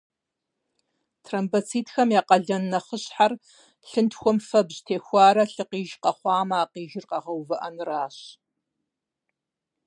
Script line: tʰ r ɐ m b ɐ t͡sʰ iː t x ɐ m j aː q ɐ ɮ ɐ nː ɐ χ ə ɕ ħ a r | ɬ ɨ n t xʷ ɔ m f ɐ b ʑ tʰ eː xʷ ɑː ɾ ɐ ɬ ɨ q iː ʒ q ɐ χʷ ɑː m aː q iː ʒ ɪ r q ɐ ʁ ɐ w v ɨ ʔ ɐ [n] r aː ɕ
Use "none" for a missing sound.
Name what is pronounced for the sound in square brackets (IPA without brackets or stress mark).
n